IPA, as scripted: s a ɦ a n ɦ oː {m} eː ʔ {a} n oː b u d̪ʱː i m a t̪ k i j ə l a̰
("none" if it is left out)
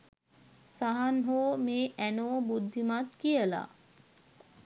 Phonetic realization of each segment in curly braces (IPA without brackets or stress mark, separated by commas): m, æ